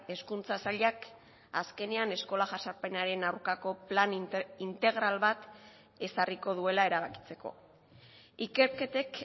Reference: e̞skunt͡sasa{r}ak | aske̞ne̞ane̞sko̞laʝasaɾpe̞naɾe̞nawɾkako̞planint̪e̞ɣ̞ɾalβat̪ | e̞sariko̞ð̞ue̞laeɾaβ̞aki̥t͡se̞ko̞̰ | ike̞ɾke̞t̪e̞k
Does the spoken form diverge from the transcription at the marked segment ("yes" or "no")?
yes